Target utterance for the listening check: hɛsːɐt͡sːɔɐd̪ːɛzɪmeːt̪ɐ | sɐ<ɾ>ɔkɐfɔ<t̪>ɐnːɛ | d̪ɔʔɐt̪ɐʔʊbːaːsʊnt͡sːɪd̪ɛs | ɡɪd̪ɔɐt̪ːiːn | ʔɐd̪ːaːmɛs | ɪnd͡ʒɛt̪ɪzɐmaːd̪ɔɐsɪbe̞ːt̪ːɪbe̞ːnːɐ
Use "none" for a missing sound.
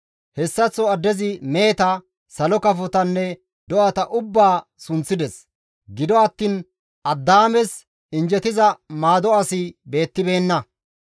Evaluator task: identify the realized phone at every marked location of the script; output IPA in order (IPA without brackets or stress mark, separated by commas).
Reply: l, t̪